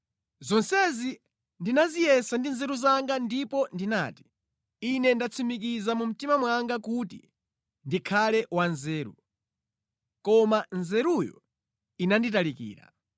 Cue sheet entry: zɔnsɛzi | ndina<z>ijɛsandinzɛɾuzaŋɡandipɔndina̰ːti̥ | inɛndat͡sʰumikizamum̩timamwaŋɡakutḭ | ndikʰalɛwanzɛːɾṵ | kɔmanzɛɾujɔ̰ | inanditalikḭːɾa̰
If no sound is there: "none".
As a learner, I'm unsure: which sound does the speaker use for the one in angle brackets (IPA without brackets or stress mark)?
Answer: z